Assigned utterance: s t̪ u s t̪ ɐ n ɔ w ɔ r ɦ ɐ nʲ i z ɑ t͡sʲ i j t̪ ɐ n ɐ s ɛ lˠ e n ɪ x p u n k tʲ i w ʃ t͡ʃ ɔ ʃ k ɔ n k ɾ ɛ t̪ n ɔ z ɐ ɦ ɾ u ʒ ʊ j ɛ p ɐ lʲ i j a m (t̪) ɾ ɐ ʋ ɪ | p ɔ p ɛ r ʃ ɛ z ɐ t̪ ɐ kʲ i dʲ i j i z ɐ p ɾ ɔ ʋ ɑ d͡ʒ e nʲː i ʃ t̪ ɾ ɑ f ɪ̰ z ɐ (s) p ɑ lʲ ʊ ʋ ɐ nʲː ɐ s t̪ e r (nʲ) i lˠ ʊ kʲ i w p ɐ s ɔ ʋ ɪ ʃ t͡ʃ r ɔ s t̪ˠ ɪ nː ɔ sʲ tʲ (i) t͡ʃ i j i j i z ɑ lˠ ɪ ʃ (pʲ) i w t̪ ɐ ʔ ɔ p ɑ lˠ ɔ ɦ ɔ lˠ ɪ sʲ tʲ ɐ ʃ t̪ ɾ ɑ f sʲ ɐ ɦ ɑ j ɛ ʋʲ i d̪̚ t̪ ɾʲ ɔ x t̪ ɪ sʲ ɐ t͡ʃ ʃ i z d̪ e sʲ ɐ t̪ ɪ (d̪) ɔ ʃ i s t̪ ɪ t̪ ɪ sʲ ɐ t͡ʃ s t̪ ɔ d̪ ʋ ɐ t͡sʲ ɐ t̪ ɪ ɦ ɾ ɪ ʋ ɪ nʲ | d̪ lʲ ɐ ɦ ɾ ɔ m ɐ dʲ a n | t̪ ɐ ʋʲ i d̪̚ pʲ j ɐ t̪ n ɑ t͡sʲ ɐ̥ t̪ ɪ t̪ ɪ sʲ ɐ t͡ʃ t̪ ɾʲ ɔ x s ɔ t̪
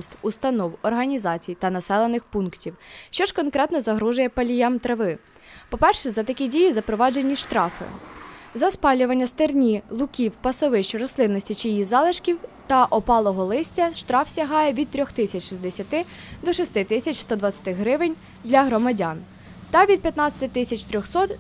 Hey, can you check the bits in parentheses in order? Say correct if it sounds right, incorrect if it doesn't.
correct, correct, correct, correct, incorrect: kʲ, correct

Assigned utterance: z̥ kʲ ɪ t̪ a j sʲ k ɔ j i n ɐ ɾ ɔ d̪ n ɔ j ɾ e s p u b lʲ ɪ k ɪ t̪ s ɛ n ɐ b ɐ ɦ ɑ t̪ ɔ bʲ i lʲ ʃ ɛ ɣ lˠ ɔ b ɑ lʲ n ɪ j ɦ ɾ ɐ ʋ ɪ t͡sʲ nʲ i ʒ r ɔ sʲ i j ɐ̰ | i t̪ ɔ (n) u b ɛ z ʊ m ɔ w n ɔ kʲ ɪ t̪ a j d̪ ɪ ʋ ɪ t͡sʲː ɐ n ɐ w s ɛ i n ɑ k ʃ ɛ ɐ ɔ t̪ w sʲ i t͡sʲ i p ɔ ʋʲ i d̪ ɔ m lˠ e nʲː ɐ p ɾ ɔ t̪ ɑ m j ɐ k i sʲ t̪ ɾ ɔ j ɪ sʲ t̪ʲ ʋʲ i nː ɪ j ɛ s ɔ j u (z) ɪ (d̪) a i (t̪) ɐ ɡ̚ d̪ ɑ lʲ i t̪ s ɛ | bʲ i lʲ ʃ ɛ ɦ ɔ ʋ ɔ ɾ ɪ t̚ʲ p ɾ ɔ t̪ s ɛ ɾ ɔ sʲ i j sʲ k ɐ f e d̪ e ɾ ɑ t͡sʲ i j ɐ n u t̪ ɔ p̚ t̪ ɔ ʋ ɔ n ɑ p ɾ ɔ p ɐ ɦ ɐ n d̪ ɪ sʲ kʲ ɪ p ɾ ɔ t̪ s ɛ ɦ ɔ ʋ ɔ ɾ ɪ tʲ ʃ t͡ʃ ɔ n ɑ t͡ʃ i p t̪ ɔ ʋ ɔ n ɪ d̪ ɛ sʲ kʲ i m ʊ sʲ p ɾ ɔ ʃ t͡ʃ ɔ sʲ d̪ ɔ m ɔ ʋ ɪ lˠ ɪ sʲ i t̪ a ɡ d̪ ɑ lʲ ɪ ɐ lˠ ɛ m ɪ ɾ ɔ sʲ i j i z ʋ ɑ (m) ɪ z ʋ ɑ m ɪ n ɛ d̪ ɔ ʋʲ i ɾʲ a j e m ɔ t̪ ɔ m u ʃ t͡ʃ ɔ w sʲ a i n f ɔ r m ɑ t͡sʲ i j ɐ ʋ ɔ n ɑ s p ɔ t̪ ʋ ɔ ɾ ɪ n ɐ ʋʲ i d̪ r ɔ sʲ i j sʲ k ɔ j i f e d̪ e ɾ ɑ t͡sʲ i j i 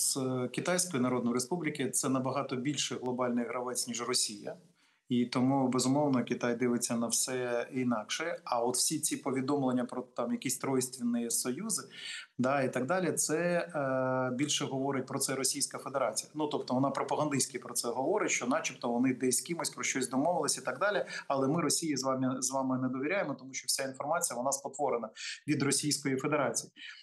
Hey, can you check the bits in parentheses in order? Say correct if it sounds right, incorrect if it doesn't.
incorrect: m, correct, correct, correct, correct

